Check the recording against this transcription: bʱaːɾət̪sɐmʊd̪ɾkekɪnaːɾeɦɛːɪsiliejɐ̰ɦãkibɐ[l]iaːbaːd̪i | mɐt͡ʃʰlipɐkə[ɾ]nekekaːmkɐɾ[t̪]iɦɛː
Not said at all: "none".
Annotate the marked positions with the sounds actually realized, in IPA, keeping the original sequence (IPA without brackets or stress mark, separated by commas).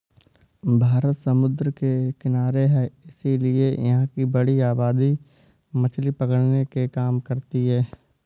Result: ɽ, ɽ, t̪